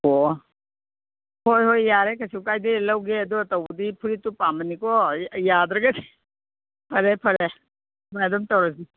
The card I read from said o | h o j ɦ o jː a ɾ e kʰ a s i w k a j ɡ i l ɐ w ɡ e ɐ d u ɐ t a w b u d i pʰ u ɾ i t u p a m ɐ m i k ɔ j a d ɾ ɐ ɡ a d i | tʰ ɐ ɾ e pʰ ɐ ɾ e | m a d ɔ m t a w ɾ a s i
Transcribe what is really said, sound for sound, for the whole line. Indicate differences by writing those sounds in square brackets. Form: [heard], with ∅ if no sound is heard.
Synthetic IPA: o | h o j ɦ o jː a ɾ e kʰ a s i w k a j [d] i l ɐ w ɡ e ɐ d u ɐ t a w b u d i pʰ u ɾ i t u p a m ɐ [n] i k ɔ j a d ɾ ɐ ɡ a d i | [pʰ] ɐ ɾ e pʰ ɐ ɾ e | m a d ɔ m t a w ɾ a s i